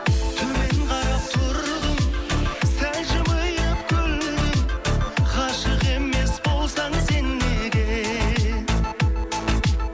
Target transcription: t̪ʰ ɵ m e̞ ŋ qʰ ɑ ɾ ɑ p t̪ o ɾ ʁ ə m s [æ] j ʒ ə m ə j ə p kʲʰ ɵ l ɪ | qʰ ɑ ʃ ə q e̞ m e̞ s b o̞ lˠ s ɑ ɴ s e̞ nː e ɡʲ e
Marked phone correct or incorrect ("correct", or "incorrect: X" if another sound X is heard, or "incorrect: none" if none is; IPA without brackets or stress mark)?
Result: correct